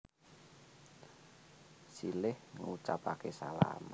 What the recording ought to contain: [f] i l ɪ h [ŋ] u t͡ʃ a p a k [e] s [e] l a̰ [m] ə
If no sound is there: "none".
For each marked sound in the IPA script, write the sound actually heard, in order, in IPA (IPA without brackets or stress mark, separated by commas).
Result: s, ŋ, e, a, m